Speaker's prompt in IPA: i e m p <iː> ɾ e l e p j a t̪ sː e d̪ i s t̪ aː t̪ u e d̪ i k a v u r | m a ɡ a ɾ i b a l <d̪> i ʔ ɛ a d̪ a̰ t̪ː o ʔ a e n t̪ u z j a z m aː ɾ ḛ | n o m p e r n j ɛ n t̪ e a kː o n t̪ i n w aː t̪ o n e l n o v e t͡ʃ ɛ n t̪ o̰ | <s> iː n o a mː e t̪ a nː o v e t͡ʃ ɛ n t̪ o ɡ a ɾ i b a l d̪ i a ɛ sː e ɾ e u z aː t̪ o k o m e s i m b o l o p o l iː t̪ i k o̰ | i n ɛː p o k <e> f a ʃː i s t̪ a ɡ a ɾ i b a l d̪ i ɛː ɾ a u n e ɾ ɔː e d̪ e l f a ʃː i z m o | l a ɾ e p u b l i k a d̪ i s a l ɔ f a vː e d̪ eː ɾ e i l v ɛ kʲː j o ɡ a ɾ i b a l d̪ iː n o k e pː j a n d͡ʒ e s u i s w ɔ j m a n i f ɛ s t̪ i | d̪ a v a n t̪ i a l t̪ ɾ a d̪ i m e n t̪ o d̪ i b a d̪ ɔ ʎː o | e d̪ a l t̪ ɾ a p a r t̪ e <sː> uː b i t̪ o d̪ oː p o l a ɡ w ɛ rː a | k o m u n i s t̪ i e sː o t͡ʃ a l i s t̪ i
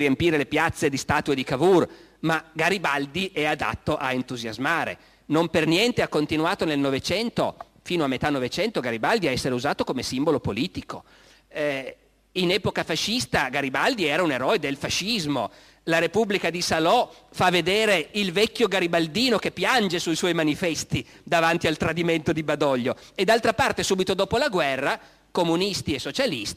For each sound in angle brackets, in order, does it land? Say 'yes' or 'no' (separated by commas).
yes, yes, no, no, no